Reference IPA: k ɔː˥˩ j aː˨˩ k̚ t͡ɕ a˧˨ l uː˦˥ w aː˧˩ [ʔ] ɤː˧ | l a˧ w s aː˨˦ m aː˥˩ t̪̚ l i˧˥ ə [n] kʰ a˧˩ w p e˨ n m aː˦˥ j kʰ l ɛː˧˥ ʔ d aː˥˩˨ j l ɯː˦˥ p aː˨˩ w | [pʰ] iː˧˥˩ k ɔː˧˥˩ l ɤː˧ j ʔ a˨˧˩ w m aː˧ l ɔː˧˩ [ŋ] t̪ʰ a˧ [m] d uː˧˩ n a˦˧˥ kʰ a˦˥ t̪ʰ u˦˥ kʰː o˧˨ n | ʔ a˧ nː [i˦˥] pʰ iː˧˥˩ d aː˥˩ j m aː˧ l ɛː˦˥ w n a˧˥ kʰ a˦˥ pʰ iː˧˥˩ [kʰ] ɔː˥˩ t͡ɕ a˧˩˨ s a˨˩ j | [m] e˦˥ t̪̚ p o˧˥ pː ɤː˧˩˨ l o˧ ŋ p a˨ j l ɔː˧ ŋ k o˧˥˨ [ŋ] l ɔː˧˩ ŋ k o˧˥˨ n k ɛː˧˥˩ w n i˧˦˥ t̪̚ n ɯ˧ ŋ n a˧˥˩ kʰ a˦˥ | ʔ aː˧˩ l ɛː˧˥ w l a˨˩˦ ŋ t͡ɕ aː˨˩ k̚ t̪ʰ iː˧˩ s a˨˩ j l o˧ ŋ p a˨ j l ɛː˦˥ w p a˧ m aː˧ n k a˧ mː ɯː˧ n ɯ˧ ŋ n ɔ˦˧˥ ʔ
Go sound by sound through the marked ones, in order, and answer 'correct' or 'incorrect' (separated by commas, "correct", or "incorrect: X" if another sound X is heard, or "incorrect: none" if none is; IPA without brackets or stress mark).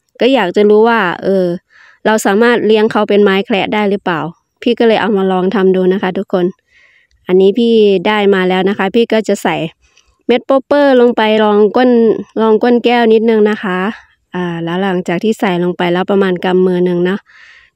correct, incorrect: ŋ, correct, correct, correct, incorrect: iː˦˥, incorrect: k, correct, incorrect: n